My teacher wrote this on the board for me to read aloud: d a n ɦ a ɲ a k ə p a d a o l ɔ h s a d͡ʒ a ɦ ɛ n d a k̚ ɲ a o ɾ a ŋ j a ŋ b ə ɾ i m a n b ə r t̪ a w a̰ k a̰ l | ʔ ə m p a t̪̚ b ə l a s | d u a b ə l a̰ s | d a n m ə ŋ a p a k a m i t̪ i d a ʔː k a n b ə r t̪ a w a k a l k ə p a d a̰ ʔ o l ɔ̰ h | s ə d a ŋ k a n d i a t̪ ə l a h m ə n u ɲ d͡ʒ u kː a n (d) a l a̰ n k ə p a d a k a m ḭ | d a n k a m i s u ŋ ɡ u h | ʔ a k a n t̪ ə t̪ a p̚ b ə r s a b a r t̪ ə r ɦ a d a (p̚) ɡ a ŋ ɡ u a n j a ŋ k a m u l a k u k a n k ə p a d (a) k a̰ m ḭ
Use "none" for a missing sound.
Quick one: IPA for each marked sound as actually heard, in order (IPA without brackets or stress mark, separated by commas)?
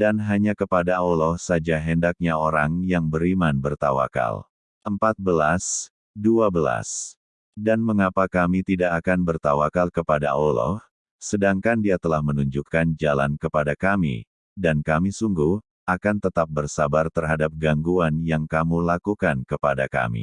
d͡ʒ, p̚, a